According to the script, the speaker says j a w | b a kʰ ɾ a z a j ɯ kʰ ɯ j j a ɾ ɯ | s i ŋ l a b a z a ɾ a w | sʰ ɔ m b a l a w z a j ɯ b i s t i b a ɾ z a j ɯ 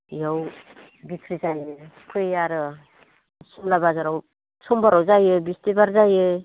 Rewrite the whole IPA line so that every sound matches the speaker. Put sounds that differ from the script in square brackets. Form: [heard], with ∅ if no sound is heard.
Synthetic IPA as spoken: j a w | b [i] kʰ ɾ [i] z a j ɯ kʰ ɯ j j a ɾ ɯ | s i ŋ l a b a z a ɾ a w | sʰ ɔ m b a [ɾ] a w z a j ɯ b i s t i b a ɾ z a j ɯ

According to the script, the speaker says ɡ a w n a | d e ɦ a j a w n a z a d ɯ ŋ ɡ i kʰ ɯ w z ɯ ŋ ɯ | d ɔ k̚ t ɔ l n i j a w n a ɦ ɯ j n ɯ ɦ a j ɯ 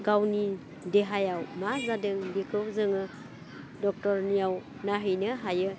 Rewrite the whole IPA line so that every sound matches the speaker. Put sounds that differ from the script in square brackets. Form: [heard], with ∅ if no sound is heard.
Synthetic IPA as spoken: ɡ a w n [i] | d e ɦ a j a w [m] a z a d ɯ ŋ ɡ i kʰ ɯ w z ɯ ŋ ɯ | d ɔ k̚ t ɔ [ɾ] n i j a w n a ɦ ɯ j n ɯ ɦ a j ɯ

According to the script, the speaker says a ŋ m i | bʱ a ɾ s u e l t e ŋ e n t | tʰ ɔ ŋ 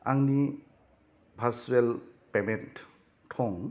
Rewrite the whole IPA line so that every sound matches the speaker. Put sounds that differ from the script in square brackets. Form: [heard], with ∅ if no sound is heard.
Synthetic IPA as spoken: a ŋ [n] i | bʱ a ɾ s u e l [p] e [m] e n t | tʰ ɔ ŋ

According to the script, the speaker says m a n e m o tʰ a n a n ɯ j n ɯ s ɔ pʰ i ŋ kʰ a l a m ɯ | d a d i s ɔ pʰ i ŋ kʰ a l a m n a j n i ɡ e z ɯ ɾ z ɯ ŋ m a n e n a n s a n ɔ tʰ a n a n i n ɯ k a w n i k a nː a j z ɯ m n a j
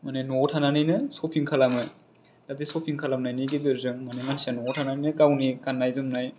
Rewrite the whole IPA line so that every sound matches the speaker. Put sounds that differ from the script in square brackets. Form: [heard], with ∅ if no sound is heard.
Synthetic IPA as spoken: m a n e [n] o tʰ a n a n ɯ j n ɯ s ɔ pʰ i ŋ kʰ a l a m ɯ | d a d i s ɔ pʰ i ŋ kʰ a l a m n a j n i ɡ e z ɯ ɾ z ɯ ŋ m a n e [m] a n s a n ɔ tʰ a n a n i n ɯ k a w n i k a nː a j z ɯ m n a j

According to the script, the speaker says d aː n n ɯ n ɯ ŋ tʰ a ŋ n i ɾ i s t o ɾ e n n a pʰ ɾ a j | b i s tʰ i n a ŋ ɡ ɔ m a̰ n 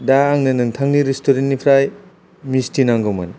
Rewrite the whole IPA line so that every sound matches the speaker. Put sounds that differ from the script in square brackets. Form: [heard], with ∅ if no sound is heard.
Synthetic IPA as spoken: d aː [ŋ] n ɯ n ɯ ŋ tʰ a ŋ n i ɾ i s t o ɾ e n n [i] pʰ ɾ a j | [m] i s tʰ i n a ŋ ɡ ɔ m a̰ n

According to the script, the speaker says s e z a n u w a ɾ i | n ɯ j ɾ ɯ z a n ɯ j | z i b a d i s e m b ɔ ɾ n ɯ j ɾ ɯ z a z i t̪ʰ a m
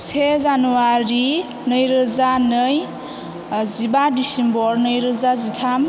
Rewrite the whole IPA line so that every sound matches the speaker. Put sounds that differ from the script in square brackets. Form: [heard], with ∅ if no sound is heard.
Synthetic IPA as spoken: s e z a n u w a ɾ i | n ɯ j ɾ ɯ z a n ɯ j | z i b a d i s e m b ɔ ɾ n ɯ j ɾ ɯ z a z i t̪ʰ a m

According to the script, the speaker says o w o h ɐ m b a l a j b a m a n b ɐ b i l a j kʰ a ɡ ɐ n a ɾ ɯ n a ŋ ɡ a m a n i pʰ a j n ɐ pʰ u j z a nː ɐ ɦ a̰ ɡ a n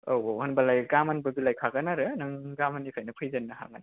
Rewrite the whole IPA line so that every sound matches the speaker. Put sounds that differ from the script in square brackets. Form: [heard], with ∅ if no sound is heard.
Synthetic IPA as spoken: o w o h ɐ [n] b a l a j [ɡ] a m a n b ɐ b i l a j kʰ a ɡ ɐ n a ɾ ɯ n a ŋ ɡ a m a n i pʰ a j n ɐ pʰ [ɯ] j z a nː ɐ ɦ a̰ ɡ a n

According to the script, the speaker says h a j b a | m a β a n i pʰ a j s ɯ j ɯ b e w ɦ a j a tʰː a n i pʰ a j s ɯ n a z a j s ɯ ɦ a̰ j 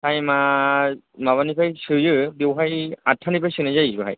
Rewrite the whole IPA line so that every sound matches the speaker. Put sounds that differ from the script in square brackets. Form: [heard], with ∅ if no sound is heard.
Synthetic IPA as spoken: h a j [m] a | m a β a n i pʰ a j s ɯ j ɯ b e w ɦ a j a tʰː a n i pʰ a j s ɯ n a z a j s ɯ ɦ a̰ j

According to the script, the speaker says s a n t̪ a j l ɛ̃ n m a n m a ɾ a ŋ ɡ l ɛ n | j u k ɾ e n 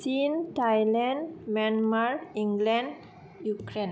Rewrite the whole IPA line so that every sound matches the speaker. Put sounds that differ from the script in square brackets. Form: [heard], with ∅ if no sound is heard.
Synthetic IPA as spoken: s [i] n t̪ a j l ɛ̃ n m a n m a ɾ [i] ŋ ɡ l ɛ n | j u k ɾ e n

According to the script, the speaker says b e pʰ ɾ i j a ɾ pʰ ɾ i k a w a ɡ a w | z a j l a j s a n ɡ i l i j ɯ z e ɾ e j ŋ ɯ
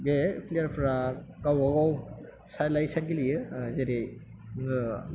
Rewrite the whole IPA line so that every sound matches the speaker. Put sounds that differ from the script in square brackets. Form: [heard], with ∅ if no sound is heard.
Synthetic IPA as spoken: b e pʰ [l] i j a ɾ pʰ ɾ [a] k a w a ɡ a w | [s] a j l a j s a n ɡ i l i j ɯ z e ɾ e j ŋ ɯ

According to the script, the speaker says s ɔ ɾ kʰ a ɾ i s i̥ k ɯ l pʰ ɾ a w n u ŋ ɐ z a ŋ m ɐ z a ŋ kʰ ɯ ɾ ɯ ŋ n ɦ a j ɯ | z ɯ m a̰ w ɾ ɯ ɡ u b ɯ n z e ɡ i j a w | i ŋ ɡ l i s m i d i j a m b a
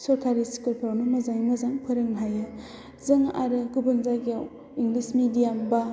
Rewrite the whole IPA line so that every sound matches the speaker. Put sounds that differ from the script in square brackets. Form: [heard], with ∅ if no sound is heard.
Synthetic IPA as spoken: s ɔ ɾ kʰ a ɾ i s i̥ k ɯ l pʰ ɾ a w n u [m] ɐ z a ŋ m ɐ z a ŋ [pʰ] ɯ ɾ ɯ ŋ n ɦ a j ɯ | z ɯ [ŋ] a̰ [∅] ɾ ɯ ɡ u b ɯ n z [a] ɡ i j a w | i ŋ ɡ l i s m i d i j a m b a

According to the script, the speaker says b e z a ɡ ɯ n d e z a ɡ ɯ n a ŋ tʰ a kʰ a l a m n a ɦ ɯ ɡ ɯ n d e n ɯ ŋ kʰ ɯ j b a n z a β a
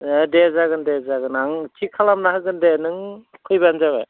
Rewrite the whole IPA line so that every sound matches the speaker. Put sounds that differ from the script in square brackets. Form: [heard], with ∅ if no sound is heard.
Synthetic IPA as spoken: [d] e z a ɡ ɯ n d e z a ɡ ɯ n a ŋ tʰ [i] kʰ a l a m n a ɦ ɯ ɡ ɯ n d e n ɯ ŋ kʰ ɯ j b a n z a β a

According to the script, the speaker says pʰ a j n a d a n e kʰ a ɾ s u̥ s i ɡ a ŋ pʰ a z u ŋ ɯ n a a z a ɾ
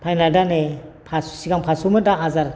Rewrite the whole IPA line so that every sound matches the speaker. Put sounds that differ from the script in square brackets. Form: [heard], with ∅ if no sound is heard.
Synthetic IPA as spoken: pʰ a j n a d a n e [pʰ] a [∅] s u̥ s i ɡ a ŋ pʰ a [s] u [m] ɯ [d] a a z a ɾ

